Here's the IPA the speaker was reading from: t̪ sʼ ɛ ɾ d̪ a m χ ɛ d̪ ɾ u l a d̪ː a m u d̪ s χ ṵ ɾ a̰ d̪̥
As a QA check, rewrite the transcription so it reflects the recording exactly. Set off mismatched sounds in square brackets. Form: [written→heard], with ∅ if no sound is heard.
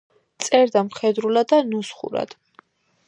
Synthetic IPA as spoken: t̪ sʼ ɛ ɾ d̪ a m χ ɛ d̪ ɾ u l a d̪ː a [m→n] u [d̪→∅] s χ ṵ ɾ a̰ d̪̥